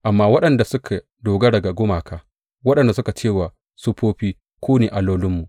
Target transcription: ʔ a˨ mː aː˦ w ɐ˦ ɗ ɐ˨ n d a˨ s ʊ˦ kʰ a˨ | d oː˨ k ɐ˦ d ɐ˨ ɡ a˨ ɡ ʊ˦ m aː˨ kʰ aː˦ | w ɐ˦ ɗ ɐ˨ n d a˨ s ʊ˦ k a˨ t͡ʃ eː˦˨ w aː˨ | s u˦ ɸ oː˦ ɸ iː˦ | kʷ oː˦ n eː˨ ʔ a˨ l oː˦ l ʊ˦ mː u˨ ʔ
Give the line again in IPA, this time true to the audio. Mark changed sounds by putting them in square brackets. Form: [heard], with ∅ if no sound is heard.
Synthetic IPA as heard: ʔ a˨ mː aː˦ w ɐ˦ ɗ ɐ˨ n d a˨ s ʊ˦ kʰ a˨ | d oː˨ [ɡ] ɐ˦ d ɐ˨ ɡ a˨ ɡ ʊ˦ m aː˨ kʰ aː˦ | w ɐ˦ ɗ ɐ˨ n d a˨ s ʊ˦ k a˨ t͡ʃ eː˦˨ w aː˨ | s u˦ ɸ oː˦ ɸ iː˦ | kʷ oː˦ n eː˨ ʔ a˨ l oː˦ l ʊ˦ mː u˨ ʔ